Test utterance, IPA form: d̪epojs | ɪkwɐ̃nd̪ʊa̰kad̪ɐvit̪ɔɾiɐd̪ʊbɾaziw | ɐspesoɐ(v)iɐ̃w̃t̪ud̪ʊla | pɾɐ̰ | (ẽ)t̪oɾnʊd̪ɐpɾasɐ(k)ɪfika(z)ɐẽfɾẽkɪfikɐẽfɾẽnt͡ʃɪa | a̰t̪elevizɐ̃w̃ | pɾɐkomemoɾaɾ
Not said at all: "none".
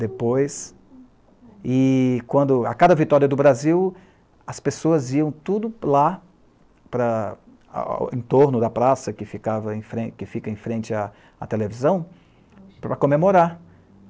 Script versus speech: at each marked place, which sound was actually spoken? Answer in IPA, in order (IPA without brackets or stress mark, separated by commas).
z, ẽ, k, v